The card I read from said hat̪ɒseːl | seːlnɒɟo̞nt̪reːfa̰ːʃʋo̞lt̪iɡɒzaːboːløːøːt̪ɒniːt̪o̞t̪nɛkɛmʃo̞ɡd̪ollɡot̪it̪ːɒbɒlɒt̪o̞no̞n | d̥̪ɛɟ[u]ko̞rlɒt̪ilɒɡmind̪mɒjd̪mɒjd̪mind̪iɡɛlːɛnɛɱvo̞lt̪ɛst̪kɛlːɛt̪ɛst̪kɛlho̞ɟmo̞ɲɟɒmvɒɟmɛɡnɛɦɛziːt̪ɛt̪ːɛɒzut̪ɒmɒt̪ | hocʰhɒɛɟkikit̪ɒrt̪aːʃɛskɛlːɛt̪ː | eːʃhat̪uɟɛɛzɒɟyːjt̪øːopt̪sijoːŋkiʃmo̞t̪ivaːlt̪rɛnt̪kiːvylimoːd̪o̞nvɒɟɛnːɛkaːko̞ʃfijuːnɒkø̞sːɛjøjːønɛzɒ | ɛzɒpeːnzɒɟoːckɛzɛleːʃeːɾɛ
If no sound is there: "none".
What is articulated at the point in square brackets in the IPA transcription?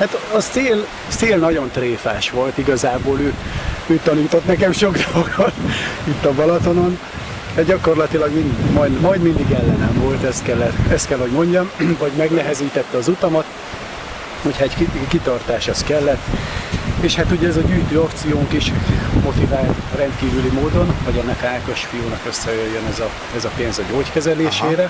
ɒ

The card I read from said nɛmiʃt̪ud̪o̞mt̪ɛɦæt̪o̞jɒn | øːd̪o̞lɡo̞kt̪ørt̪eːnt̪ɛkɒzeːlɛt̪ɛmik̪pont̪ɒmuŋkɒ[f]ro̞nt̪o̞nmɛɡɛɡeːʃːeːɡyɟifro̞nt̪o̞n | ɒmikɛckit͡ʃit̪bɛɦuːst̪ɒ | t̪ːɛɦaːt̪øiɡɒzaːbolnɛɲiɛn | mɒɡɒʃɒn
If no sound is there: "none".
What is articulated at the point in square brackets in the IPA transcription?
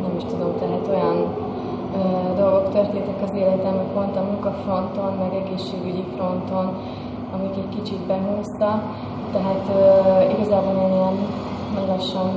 f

